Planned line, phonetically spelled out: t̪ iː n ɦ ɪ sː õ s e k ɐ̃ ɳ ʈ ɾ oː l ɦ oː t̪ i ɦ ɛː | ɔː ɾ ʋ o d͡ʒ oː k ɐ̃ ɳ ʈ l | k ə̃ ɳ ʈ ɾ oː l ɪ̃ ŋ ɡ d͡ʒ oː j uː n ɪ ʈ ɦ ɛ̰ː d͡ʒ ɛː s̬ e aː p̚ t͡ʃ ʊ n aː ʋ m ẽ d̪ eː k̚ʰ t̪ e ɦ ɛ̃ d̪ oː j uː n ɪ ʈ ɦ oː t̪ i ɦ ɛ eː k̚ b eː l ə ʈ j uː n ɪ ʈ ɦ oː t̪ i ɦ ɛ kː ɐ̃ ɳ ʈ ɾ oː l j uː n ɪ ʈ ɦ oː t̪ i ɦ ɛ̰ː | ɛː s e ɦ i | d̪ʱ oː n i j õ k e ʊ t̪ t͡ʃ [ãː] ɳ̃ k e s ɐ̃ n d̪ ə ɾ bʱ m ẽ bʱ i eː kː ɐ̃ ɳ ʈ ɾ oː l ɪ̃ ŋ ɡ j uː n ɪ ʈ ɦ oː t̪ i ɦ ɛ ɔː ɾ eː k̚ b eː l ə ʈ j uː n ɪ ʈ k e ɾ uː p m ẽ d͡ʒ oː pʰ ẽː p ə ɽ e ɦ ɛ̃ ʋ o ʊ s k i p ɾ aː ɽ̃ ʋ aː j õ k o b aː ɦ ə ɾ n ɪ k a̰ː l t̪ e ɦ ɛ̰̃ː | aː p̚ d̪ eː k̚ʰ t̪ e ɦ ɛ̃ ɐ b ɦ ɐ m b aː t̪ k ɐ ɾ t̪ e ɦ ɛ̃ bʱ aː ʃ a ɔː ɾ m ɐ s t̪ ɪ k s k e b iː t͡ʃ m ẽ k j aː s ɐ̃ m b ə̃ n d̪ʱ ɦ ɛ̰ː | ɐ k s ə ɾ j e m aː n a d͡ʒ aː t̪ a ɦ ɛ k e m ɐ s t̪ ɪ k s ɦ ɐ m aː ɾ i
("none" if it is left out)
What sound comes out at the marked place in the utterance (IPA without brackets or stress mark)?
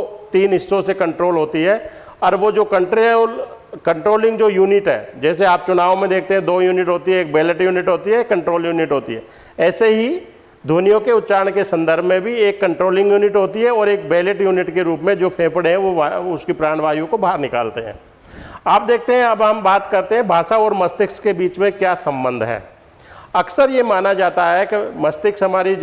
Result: aː